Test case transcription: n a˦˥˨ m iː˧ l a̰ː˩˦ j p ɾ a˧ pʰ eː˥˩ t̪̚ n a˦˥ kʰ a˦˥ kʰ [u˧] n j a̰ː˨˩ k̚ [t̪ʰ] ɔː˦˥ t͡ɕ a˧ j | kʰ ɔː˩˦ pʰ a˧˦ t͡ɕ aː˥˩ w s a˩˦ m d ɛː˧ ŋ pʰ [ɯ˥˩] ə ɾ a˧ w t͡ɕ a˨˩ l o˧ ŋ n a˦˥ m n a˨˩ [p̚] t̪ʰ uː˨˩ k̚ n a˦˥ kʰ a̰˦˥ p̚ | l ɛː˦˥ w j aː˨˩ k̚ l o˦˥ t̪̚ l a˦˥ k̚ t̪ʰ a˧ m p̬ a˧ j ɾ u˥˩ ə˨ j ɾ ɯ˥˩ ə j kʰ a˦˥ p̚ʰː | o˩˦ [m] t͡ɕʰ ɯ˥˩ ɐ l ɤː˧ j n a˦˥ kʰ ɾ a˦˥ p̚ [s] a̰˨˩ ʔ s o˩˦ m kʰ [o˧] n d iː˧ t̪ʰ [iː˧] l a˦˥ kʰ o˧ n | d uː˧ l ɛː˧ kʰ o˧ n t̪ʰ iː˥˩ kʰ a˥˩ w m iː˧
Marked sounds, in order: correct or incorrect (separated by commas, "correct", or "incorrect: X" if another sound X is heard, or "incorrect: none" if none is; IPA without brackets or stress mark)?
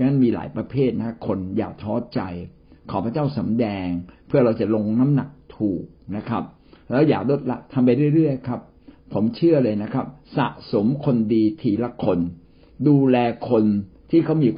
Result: incorrect: o˧, correct, correct, incorrect: k̚, correct, correct, correct, correct